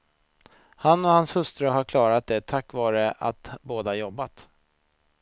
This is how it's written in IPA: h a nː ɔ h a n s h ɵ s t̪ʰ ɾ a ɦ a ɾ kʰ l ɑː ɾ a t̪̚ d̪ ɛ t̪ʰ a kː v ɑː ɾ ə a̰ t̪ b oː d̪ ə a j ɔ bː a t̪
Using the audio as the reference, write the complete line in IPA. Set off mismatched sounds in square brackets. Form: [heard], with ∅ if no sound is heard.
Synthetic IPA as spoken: h a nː ɔ h a n s h ɵ s [t̪] ɾ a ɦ a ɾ kʰ l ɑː ɾ a t̪̚ d̪ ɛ t̪ʰ a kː v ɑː ɾ ə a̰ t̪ b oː d̪ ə a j ɔ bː a t̪